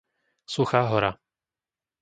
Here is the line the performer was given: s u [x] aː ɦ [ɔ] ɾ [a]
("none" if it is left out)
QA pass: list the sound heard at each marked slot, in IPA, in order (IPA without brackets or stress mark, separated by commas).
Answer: x, ɔ, a